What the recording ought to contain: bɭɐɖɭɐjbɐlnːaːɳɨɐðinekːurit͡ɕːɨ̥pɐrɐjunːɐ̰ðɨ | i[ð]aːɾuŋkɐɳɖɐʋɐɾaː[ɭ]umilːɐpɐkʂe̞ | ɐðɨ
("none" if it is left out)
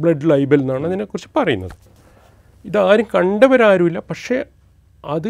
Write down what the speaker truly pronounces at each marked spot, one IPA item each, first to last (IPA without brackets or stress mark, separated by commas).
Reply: ð, ɾ